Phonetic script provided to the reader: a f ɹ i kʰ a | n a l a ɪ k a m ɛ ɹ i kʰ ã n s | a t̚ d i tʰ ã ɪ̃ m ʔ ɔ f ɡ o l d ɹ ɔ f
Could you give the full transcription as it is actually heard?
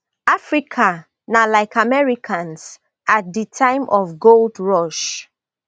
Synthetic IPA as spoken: a f ɹ i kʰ a | n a l a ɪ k a m ɛ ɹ i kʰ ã n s | a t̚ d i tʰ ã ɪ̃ m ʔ ɔ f ɡ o l d ɹ ɔ ʃ

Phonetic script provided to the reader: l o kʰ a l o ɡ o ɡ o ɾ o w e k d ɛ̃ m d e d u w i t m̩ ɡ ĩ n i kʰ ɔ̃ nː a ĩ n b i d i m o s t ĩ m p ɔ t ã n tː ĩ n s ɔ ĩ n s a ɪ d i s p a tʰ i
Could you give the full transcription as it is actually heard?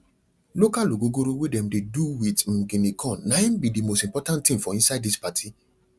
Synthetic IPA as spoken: l o k a l o ɡ o ɡ o ɾ o w e d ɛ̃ m d e d u w i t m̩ ɡ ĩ n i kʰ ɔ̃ nː a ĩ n b i d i m o s t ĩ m p ɔ t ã n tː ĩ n f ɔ ĩ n s a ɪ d i s p a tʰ i

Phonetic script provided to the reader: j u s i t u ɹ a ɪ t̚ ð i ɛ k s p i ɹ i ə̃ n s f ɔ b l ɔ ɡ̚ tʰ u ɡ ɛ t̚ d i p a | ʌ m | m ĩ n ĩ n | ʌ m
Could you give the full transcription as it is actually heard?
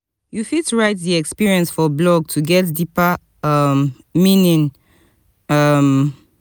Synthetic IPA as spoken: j u f i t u ɹ a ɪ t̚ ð i ɛ k s p i ɹ i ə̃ n s f ɔ b l ɔ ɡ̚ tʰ u ɡ ɛ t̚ d i p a | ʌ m | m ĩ n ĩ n | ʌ m

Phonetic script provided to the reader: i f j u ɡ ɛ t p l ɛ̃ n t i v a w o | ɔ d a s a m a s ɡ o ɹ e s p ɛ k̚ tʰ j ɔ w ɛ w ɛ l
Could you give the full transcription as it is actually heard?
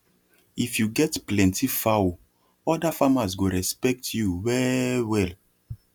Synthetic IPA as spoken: i f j u ɡ ɛ t p l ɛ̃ n t i f a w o | ɔ d a f a m a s ɡ o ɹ ɛ s p ɛ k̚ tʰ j u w ɛ w ɛ l

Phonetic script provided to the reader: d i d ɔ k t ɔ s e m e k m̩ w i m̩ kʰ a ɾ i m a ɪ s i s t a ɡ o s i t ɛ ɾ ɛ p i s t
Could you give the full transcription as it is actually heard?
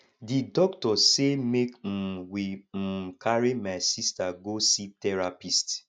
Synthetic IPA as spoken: d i d ɔ k t ɔ s e m e k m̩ w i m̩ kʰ a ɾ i m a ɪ s i s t a ɡ o s i t ɛ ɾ a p i s t

